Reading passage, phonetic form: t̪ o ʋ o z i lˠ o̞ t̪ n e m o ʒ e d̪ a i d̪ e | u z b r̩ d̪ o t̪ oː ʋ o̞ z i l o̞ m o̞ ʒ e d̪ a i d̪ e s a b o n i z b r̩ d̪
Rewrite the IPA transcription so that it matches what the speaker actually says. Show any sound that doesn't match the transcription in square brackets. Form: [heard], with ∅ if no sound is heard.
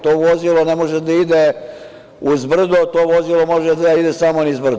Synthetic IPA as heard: t̪ o ʋ o z i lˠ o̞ [∅] n e m o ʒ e d̪ a i d̪ e | u z b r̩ d̪ o t̪ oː ʋ o̞ z i l o̞ m o̞ ʒ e d̪ a i d̪ e s a [m] o n i z b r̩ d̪